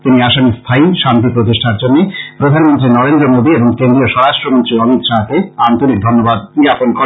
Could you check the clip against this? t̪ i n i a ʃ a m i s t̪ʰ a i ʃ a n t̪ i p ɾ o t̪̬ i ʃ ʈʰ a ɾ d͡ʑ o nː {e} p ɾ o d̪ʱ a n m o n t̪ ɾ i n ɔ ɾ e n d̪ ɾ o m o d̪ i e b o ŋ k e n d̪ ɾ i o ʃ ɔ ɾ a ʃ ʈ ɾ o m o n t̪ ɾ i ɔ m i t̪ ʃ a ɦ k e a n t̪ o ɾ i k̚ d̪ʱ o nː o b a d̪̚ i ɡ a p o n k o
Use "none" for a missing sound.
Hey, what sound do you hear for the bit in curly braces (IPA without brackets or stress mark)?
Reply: e